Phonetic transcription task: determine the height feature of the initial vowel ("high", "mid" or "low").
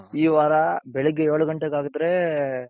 high